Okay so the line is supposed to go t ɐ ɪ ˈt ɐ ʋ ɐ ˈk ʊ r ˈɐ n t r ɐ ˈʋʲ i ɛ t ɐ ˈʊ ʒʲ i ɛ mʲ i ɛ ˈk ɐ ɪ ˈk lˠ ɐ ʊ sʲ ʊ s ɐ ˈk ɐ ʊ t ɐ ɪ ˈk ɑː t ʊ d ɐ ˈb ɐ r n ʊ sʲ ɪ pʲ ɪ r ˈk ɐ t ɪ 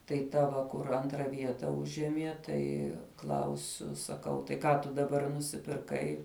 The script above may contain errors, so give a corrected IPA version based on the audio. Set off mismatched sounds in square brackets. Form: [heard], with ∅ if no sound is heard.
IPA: t ɐ ɪ ˈt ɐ ʋ ɐ ˈk ʊ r ˈɐ n t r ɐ ˈʋʲ i ɛ t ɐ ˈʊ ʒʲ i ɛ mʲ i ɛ [ˈt] ɐ ɪ ˈk lˠ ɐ ʊ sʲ ʊ s ɐ ˈk ɐ ʊ t ɐ ɪ ˈk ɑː t ʊ d ɐ ˈb ɐ r n ʊ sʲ ɪ pʲ ɪ r ˈk ɐ [∅] ɪ